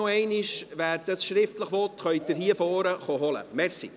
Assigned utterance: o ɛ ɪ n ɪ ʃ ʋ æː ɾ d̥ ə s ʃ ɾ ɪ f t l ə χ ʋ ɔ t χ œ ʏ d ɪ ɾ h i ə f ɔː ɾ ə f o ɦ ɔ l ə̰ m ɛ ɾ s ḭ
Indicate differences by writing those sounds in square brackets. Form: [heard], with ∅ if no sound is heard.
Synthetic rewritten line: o ɛ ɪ n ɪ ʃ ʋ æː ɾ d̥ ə s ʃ ɾ ɪ f t l ə χ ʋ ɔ t χ œ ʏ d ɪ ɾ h i ə f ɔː ɾ ə [χ] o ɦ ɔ l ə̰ m ɛ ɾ s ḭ